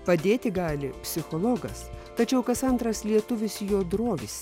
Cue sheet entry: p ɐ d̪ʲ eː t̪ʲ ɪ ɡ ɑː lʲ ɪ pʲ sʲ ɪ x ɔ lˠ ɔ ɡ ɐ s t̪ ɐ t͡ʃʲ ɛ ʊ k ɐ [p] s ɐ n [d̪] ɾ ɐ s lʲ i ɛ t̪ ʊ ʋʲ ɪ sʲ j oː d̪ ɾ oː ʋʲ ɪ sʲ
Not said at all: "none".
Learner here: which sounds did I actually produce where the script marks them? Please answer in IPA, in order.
none, t̪

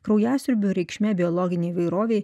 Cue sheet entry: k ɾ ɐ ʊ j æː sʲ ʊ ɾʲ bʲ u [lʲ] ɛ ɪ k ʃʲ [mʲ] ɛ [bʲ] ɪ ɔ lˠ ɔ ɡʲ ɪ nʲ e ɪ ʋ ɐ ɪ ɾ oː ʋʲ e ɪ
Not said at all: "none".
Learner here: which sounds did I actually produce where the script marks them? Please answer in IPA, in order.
ɾʲ, mʲ, bʲ

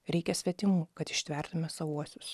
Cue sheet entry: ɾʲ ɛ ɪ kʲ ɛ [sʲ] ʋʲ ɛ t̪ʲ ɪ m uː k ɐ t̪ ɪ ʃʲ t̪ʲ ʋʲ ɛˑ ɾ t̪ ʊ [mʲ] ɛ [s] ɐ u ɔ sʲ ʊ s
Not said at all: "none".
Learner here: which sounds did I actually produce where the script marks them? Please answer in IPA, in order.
sʲ, mʲ, s

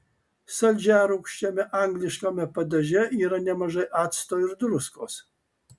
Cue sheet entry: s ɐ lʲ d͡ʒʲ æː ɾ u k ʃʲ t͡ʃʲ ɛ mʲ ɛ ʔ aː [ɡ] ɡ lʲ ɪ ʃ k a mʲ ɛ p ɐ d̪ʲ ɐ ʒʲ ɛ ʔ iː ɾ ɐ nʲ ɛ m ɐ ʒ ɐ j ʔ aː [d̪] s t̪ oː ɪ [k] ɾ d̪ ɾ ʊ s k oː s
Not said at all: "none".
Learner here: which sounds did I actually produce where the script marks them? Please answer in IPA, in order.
ŋ, t̪, none

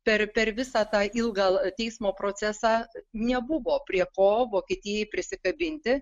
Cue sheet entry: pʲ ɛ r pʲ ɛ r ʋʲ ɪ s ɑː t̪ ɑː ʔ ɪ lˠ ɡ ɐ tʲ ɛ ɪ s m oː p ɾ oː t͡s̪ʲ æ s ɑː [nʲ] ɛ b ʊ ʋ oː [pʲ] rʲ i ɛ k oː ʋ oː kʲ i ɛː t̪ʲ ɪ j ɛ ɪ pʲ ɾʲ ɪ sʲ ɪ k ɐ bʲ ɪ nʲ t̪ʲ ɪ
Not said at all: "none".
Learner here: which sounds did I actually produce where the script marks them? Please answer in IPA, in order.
nʲ, pʲ

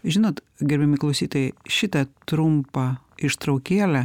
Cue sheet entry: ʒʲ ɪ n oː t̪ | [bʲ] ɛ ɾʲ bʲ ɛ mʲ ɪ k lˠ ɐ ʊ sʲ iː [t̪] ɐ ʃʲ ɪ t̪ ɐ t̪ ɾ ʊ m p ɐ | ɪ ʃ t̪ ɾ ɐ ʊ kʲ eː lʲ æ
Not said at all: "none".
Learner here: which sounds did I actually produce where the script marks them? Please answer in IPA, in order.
ɡʲ, t̪

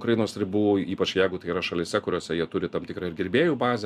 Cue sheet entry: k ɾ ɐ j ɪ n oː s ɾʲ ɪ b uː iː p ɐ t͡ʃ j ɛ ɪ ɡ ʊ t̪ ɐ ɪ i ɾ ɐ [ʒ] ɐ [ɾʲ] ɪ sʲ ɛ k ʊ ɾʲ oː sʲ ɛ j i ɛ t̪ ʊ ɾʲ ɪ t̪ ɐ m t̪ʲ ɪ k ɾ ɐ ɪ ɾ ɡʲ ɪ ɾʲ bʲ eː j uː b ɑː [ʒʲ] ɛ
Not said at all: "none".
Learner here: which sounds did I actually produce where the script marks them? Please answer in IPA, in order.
ʃ, lʲ, zʲ

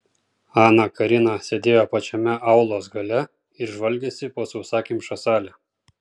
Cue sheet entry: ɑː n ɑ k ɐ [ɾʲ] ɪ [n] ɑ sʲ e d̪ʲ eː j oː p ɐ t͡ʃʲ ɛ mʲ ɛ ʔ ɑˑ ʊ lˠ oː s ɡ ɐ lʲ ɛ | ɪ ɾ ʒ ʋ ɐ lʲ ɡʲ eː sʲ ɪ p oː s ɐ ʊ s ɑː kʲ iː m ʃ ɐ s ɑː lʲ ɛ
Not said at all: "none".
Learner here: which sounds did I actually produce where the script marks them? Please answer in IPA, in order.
ɾʲ, n

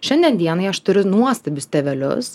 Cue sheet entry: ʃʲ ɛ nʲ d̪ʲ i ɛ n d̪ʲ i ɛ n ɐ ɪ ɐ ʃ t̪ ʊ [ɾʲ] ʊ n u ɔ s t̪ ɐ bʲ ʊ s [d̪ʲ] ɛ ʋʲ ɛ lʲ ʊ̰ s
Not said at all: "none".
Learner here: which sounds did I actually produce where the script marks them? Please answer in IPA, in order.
ɾʲ, t̪ʲ

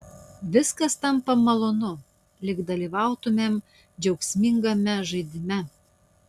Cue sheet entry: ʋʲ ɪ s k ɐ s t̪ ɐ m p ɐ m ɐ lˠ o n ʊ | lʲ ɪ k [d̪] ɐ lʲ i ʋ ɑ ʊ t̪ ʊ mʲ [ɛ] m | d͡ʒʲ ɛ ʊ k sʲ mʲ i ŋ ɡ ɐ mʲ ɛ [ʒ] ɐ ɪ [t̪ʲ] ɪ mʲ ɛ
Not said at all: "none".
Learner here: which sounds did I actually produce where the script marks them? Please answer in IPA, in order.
d̪, e, ʒ, d̪ʲ

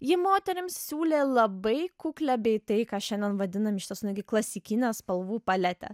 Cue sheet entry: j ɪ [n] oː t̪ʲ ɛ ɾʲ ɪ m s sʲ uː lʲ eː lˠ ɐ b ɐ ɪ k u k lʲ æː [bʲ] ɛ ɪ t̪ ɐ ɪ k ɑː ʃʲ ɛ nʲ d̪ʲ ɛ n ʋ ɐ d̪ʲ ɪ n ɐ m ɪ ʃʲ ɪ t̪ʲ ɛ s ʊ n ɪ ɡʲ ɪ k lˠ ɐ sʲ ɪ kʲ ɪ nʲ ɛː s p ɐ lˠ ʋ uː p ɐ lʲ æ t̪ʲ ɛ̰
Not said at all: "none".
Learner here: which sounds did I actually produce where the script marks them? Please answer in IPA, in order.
m, bʲ

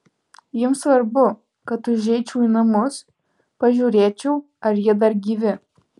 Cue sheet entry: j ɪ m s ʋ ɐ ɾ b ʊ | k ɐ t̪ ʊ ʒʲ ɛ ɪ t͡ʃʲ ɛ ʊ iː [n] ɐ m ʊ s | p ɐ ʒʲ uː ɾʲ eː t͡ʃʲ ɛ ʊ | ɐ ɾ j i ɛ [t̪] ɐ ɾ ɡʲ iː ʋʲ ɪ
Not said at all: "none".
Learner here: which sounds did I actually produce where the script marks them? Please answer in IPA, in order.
n, d̪

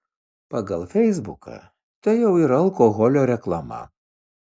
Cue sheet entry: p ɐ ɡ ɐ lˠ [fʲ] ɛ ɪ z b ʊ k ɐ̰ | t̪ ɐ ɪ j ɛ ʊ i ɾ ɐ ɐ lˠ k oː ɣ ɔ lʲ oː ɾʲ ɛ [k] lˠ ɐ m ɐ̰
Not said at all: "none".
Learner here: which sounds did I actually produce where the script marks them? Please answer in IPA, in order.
fʲ, k

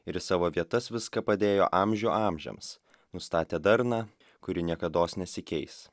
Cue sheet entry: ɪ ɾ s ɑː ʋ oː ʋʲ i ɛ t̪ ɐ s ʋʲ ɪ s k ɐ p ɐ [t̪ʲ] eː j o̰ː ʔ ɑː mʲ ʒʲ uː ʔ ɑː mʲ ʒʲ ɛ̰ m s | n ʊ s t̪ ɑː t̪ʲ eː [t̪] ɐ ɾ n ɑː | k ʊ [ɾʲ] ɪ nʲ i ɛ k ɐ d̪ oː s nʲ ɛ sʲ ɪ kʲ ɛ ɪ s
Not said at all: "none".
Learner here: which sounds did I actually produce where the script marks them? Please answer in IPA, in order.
d̪ʲ, d̪, ɾʲ

